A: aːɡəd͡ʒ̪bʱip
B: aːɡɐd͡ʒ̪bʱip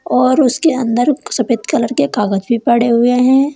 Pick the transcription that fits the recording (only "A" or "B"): A